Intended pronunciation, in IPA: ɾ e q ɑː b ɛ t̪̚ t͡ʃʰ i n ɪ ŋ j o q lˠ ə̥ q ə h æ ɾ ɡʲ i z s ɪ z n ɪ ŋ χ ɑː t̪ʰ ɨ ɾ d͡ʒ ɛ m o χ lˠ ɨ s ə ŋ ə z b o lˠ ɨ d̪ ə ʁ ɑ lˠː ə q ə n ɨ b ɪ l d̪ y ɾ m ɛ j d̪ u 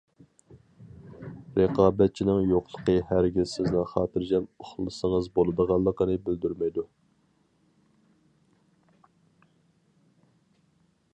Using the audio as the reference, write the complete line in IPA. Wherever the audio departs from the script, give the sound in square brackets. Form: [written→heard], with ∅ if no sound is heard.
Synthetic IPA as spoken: ɾ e q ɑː b ɛ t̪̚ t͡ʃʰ i n ɪ ŋ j o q lˠ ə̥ q ə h æ ɾ ɡʲ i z s ɪ z n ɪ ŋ χ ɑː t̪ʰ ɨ ɾ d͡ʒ ɛ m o χ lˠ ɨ s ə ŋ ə z b o lˠ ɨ d̪ ə ʁ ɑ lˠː ə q ə n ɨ b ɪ l d̪ y ɾ m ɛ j d̪ u